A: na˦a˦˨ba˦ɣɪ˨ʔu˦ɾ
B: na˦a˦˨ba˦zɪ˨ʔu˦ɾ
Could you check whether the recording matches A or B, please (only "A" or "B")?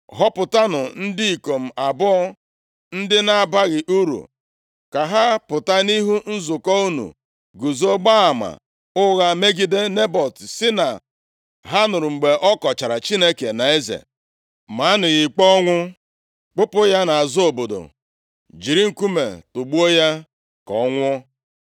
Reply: A